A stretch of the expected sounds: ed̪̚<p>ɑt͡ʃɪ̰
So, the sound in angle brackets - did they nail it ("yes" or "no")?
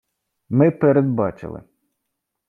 no